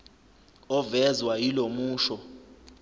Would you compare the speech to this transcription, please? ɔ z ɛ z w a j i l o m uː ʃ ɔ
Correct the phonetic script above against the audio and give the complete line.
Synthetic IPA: ɔ v ɛ z w a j i l o m uː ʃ ɔ